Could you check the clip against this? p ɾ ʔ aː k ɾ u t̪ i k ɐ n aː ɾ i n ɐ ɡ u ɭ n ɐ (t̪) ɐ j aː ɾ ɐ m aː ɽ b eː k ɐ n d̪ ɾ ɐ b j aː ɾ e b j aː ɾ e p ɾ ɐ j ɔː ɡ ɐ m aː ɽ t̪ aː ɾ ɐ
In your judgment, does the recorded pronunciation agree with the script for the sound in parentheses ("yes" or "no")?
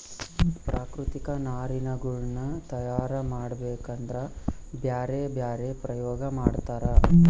yes